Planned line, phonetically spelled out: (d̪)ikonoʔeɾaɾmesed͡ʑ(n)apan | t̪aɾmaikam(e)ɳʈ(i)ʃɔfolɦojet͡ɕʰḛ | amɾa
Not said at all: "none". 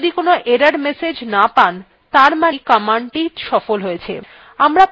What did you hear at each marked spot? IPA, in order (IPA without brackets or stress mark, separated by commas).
d̪, n, a, i